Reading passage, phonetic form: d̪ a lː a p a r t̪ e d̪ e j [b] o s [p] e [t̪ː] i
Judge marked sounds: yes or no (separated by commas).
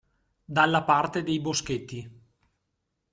yes, no, yes